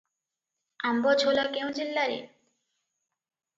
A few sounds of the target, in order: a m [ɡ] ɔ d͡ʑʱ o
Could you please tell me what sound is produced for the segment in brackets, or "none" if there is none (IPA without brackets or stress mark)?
b